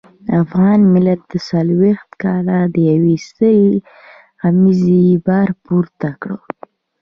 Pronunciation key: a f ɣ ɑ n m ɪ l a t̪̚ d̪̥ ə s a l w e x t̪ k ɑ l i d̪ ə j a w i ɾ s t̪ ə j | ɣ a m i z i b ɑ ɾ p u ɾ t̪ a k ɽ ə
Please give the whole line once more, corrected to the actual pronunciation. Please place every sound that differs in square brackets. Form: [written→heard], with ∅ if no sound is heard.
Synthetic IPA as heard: a f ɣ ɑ n m ɪ l a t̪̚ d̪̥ ə s a l w e x t̪ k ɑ l [i→a] d̪ ə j a w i [ɾ→∅] s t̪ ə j | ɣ a m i z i b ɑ ɾ p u ɾ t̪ a k ɽ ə